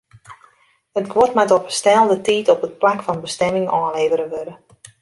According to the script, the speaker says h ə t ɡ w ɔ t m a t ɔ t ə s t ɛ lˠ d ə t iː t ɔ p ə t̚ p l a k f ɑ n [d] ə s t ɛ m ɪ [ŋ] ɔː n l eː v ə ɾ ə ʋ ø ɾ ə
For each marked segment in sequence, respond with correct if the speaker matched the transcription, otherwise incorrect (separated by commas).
incorrect, correct